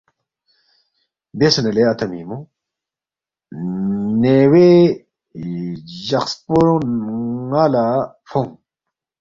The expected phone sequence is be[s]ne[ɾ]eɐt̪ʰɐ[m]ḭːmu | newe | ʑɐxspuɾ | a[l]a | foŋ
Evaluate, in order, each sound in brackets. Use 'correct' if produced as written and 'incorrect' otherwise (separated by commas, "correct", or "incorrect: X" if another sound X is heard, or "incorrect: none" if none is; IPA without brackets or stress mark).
correct, incorrect: l, correct, correct